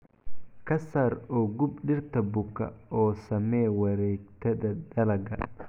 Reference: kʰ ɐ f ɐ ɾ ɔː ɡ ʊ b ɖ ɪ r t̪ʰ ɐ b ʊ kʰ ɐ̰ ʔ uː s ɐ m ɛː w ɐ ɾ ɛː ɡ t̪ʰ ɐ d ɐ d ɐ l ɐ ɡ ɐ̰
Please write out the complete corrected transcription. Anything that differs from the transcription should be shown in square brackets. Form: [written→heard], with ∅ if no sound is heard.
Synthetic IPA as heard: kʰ ɐ [f→s] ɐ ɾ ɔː ɡ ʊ b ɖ ɪ r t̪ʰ ɐ b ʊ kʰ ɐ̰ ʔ [uː→ɔː] s ɐ m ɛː w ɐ ɾ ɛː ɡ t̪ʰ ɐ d ɐ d ɐ l ɐ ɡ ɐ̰